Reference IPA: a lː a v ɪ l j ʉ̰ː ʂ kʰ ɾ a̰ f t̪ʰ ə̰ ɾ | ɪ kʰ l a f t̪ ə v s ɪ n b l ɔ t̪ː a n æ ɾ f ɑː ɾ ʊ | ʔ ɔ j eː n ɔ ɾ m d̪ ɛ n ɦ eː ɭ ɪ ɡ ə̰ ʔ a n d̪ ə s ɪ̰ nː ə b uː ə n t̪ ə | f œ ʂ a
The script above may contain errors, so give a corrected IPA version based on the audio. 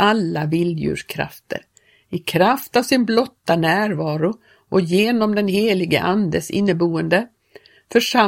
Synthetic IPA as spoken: a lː a v ɪ l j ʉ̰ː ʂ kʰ ɾ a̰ f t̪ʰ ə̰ ɾ | ɪ kʰ ɾ a f t̪ a v s ɪ n b l ɔ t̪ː a n æː ɾ v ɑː ɾ ʊ | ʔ ɔ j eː n ɔ m d̪ ɛ n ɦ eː l ɪ ɡ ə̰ ʔ a n d̪ ə s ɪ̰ nː ə b uː ə n d̪ ə | f œ ʂ a